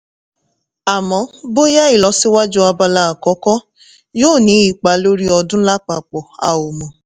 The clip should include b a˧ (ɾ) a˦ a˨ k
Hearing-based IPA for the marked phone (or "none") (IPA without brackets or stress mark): l